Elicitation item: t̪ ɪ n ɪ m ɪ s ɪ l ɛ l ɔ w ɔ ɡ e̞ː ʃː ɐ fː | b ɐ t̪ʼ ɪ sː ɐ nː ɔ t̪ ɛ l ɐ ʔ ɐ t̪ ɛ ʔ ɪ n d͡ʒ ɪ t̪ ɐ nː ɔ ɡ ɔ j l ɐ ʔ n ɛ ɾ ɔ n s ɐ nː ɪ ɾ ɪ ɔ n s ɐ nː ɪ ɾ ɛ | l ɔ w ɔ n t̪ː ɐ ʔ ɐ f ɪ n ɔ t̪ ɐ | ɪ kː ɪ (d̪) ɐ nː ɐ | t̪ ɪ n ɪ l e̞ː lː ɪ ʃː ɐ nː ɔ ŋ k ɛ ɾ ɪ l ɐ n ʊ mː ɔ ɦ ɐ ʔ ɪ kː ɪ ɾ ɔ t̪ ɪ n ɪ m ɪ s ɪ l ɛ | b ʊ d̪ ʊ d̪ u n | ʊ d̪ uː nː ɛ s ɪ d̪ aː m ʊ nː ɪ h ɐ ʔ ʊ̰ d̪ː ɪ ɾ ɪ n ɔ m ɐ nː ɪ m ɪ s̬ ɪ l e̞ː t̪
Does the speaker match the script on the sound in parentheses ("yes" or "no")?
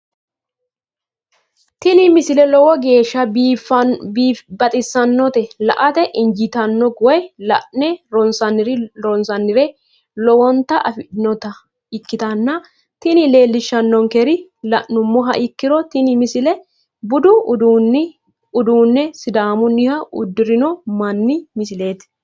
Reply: no